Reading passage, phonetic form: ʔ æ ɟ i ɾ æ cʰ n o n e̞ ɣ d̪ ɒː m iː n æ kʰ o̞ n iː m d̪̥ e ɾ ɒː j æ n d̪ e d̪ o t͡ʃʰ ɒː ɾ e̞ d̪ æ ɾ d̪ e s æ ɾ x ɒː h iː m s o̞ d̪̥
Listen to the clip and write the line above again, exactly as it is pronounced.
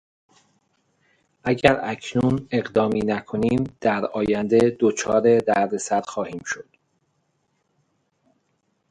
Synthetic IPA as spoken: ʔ æ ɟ æ ɾ æ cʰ n u n e̞ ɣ d̪ ɒː m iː n æ kʰ o̞ n iː m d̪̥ æ ɾ ɒː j æ n d̪ e d̪ o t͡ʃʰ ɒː ɾ e̞ d̪ æ ɾ d̪ e s æ ɾ x ɒː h iː m ʃ o̞ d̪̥